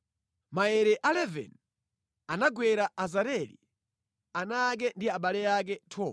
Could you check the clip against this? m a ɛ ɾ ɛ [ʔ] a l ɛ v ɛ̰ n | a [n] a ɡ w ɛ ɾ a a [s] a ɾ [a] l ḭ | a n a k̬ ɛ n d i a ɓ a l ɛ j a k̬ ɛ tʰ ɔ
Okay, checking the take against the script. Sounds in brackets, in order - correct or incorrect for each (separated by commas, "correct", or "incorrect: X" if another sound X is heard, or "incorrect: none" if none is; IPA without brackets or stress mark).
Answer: correct, correct, incorrect: z, incorrect: ɛ